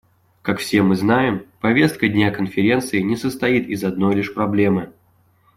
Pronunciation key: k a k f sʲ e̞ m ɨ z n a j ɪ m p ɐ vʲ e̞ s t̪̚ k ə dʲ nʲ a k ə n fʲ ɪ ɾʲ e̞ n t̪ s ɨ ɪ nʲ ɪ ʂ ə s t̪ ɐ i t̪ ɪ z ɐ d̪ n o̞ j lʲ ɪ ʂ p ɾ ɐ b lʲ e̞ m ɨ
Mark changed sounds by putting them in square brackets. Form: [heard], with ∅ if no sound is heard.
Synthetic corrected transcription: k a k f sʲ e̞ m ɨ z n a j ɪ m p ɐ vʲ e̞ s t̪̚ k ə dʲ nʲ a k ə n fʲ ɪ ɾʲ e̞ n t̪ s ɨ ɪ nʲ ɪ [s] ə s t̪ ɐ i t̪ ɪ z ɐ d̪ n o̞ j lʲ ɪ ʂ p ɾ ɐ b lʲ e̞ m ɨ